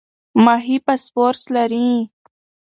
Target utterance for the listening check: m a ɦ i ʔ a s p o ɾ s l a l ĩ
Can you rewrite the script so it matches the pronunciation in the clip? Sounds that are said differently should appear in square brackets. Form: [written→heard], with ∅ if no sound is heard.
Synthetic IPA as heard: m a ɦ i [ʔ→p] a s p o ɾ s l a [l→ɾ] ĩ

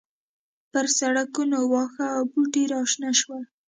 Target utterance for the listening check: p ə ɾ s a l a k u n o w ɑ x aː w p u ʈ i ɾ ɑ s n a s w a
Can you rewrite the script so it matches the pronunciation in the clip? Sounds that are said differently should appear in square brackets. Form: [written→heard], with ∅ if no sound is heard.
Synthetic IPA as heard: p ə ɾ s a [l→ɽ] a k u n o w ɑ x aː w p u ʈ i ɾ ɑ [s→ʃ] n a [s→ʃ] w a

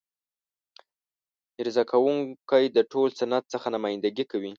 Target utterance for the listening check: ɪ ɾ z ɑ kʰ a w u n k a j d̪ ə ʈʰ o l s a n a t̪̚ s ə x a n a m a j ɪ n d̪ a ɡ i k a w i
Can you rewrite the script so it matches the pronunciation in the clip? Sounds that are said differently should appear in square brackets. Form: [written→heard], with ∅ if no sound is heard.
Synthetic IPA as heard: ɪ ɾ z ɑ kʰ a w u [n→ŋ] k a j d̪ ə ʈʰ o l s a n a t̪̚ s ə x a n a m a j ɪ n d̪ a ɡ i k a w i

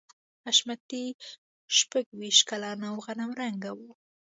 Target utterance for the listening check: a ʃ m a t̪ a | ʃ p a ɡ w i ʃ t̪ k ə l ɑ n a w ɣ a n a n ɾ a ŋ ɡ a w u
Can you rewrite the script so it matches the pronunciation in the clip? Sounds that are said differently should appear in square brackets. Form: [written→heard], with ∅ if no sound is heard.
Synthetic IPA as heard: a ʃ m a t̪ [a→i] | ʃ p a ɡ w i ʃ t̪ k [ə→a] l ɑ n a w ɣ a n a [n→m] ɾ a ŋ ɡ a w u

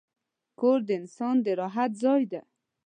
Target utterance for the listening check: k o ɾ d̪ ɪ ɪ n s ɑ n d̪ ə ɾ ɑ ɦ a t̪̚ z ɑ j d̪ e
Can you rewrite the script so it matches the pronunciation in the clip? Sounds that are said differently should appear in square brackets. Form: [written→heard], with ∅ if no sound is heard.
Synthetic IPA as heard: k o ɾ d̪ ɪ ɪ n s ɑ n d̪ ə ɾ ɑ ɦ a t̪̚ z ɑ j d̪ [e→a]

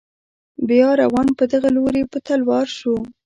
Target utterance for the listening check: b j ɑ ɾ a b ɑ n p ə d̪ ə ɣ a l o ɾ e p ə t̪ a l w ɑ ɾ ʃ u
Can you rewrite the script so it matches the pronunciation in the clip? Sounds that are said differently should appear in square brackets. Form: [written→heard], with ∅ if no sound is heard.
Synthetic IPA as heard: b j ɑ ɾ a [b→w] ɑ n p ə d̪ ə ɣ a l o ɾ e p ə t̪ a l w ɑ ɾ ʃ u

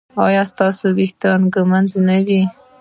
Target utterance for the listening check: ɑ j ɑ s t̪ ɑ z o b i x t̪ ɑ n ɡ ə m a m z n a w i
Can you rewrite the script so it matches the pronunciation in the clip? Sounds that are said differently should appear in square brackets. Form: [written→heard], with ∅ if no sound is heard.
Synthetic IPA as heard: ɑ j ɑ s t̪ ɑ [z→s] o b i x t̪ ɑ n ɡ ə m a [m→n] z n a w i

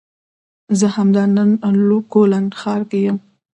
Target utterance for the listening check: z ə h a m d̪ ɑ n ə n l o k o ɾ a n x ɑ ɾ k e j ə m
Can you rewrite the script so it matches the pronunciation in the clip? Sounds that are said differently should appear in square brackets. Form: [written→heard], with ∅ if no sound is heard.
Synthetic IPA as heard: z ə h a m d̪ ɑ n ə n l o k o [ɾ→l] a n x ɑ ɾ k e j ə m

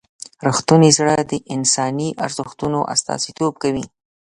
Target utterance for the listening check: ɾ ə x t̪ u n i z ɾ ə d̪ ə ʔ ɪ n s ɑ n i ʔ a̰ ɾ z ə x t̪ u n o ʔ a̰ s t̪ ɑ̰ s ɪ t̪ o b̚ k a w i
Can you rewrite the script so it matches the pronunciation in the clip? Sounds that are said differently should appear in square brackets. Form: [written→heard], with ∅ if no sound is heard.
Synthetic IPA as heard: ɾ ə x t̪ u n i z [ɾ→ɽ] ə d̪ ə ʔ ɪ n s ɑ n i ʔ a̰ ɾ z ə x t̪ u n o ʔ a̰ s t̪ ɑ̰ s [ɪ→i] t̪ o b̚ k a w i

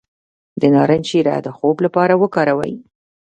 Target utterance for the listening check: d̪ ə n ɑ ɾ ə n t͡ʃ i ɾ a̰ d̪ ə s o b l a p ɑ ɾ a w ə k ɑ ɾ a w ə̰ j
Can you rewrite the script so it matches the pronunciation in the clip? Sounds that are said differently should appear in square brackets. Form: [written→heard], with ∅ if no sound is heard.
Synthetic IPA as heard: d̪ ə n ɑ ɾ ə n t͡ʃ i ɾ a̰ d̪ ə [s→x] o b l a p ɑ ɾ a w ə k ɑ ɾ a w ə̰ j

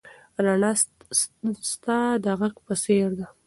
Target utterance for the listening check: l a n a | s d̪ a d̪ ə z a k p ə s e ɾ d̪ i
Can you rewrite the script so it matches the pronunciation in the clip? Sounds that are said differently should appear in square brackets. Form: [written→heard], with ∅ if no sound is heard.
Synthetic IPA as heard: [l→ɾ] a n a | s [d̪→t̪] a d̪ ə [z→ɣ] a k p ə s e ɾ d̪ [i→a]

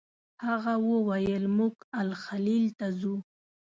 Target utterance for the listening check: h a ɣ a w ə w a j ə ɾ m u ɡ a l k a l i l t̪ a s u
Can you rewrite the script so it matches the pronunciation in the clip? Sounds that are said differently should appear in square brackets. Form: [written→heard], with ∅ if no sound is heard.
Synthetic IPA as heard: h a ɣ a w ə w a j ə [ɾ→l] m u ɡ a l [k→x] a l i l t̪ a [s→z] u

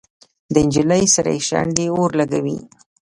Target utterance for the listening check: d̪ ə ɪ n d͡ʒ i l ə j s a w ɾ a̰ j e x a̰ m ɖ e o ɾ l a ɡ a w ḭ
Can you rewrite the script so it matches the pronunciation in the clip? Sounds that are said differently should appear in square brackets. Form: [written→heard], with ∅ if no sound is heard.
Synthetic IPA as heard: d̪ ə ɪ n d͡ʒ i l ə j s a [w→∅] ɾ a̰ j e [x→ʃ] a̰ [m→ɳ] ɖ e o ɾ l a ɡ a w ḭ

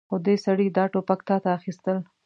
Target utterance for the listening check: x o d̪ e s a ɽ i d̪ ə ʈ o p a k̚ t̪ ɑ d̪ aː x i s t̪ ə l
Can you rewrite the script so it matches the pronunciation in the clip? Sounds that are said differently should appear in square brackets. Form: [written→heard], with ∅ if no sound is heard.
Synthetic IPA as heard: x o d̪ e s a ɽ i d̪ [ə→ɑ] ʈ o p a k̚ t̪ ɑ [d̪→t̪] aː x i s t̪ ə l

